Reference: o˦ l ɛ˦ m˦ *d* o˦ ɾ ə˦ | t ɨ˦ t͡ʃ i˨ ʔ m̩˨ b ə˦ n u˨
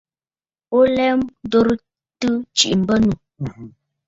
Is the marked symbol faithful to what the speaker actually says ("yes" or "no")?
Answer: yes